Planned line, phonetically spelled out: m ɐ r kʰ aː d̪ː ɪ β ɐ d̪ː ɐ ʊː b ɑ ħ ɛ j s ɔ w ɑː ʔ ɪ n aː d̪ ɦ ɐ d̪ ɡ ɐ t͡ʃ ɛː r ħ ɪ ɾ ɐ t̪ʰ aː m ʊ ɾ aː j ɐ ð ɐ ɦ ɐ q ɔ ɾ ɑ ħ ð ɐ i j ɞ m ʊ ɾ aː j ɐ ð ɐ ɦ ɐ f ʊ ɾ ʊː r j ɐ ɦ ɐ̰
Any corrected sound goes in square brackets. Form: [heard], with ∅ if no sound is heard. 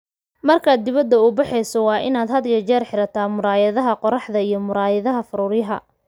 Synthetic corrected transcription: m ɐ r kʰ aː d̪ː ɪ β ɐ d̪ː ɐ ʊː b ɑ ħ ɛ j s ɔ w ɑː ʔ ɪ n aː d̪ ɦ ɐ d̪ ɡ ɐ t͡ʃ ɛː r ħ ɪ ɾ ɐ t̪ʰ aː m ʊ ɾ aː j ɐ ð ɐ ɦ ɐ q ɔ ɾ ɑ ħ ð ɐ i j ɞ m ʊ ɾ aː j ɐ ð ɐ ɦ ɐ f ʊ ɾ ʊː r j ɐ ɦ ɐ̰